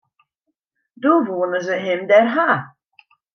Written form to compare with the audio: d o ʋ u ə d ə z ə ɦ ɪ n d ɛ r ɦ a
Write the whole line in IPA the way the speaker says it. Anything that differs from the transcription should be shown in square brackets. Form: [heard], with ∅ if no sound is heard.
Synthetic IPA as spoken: d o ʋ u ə [n] ə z ə ɦ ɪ [m] d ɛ r ɦ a